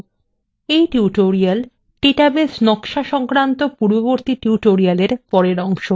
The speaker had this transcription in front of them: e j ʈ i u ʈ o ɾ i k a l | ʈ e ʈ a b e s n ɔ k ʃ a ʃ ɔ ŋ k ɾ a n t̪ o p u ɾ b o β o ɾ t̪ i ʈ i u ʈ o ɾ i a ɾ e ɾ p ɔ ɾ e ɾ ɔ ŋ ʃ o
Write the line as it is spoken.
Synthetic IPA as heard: e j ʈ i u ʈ o ɾ i a l | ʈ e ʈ a b e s n ɔ k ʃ a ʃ ɔ ŋ k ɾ a n t̪ o p u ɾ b o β o ɾ t̪ i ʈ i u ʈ o ɾ i a l e ɾ p ɔ ɾ e ɾ ɔ ŋ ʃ o